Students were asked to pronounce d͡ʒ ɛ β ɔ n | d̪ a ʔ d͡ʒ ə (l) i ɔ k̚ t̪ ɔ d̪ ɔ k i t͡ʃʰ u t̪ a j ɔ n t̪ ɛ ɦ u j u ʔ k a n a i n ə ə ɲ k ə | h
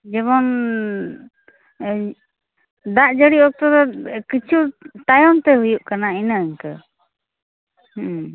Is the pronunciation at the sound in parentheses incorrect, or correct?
incorrect